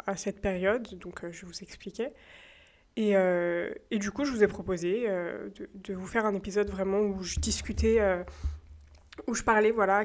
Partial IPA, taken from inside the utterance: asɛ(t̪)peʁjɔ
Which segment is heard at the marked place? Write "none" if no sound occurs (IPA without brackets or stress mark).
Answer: t̪